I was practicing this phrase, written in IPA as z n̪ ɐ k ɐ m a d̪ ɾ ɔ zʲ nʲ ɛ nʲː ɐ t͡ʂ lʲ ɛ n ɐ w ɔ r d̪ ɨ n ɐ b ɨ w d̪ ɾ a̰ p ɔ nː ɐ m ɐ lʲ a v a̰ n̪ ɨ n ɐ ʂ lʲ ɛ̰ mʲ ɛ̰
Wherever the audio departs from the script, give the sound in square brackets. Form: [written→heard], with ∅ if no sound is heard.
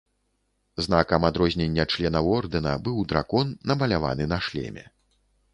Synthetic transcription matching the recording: z n̪ [ɐ→a] k ɐ m a d̪ ɾ ɔ zʲ nʲ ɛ nʲː ɐ t͡ʂ lʲ ɛ n ɐ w ɔ r d̪ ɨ n ɐ b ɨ w d̪ ɾ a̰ [p→k] ɔ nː ɐ m ɐ lʲ a v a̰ n̪ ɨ n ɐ ʂ lʲ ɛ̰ mʲ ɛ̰